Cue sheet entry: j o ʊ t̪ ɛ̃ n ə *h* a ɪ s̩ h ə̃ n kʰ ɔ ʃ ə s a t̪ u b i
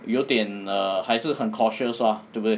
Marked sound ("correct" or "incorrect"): correct